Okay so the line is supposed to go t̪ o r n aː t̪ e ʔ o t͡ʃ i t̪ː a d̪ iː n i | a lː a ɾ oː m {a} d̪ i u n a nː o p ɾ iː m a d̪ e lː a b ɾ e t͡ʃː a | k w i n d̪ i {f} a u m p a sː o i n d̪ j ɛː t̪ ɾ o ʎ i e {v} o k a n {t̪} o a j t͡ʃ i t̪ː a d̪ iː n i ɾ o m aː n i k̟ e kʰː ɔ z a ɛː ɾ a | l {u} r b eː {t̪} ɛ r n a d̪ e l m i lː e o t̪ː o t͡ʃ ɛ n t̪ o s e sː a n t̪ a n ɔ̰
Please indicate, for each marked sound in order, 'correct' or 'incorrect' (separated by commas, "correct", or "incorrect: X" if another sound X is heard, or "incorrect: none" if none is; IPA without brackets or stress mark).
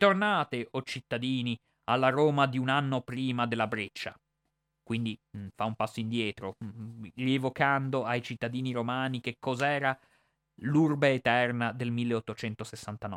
correct, correct, correct, incorrect: d̪, correct, correct